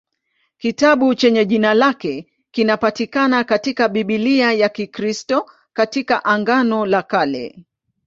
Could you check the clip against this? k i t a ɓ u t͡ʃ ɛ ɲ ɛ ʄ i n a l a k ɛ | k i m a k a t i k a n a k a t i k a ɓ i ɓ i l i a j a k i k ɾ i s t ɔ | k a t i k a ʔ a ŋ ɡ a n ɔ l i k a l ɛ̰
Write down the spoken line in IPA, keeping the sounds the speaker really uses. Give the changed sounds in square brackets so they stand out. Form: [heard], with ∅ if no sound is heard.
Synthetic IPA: k i t a ɓ u t͡ʃ ɛ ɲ ɛ ʄ i n a l a k ɛ | k i [n] a [p] a t i k a n a k a t i k a ɓ i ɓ i l i a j a k i k ɾ i s t ɔ | k a t i k a ʔ a ŋ ɡ a n ɔ l [a] k a l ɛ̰